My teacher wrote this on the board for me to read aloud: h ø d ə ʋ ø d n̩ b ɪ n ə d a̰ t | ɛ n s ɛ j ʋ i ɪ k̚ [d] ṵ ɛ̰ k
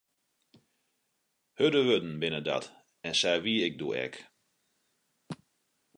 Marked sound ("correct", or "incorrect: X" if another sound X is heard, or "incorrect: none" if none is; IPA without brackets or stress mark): correct